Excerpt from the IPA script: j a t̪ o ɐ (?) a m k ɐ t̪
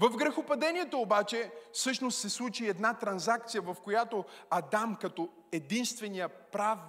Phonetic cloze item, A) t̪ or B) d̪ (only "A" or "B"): B